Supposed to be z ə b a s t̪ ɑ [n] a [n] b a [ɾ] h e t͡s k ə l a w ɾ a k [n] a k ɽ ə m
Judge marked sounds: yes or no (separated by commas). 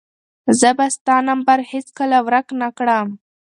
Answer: yes, no, yes, yes